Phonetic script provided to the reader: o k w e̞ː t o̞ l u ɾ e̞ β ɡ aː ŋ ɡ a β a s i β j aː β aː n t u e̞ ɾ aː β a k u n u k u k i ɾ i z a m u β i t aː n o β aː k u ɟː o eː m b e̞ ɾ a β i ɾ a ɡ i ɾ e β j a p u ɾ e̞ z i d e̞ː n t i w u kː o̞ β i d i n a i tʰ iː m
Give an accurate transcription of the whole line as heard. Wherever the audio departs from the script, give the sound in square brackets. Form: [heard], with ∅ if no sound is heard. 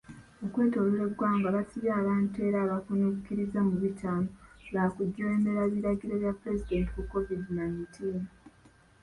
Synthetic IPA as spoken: o k w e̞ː t o̞ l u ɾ e̞ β ɡ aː ŋ ɡ a β a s i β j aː β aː n t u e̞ ɾ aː β a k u n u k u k i ɾ i z a m u β i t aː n o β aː k u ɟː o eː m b e̞ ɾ a β i ɾ a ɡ i ɾ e β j a p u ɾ e̞ z i d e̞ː n t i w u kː o̞ [v] i d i n a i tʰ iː [n]